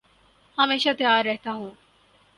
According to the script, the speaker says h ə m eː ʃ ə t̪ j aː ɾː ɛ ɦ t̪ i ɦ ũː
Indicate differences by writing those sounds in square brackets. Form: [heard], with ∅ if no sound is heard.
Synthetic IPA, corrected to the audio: h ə m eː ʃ [a] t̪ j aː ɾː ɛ ɦ t̪ [a] ɦ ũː